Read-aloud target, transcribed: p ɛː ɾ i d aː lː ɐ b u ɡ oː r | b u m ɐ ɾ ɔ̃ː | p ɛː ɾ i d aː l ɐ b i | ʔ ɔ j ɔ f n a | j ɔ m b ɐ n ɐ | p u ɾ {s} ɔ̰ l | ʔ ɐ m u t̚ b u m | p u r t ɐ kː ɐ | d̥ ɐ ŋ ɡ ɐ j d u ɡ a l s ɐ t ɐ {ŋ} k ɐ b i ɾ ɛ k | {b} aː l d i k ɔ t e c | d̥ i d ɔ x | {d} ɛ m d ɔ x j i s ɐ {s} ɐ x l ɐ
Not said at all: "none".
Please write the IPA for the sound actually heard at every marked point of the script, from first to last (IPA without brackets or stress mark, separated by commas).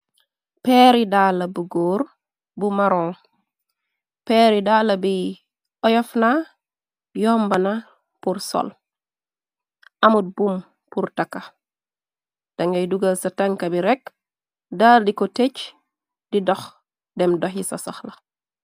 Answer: s, ŋ, d, d, s